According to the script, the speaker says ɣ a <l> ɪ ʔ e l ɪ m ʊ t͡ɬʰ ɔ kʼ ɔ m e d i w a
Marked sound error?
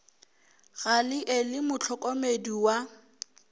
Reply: no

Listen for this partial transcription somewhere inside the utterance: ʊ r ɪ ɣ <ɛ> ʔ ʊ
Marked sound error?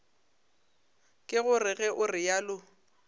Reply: no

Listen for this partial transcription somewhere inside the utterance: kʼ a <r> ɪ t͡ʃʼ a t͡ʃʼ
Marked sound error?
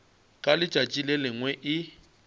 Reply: yes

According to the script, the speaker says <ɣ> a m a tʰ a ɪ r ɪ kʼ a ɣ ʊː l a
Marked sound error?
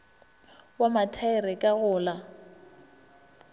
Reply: yes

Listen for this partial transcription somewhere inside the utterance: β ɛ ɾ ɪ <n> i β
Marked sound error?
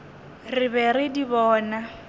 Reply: yes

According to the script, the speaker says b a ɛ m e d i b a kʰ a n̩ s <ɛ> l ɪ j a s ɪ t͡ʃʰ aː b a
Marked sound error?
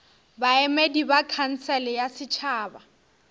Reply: no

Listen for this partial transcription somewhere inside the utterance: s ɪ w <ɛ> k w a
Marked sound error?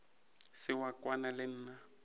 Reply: yes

